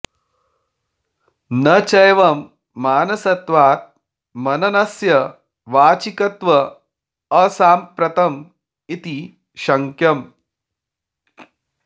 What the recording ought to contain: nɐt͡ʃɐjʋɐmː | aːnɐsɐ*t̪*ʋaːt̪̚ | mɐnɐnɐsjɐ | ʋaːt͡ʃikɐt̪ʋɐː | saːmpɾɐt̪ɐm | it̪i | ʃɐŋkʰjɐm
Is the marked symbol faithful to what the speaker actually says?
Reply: yes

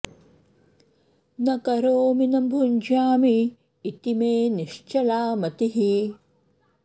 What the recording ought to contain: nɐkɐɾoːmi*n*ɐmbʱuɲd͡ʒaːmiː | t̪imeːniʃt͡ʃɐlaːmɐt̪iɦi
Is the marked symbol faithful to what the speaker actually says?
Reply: yes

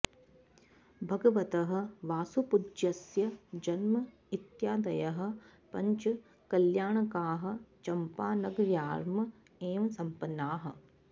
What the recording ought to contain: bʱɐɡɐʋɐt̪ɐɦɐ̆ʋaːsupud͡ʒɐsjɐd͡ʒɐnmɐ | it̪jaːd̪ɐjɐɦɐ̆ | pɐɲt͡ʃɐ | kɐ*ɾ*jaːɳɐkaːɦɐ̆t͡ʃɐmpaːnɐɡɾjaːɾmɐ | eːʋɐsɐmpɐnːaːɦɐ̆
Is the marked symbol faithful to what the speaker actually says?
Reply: no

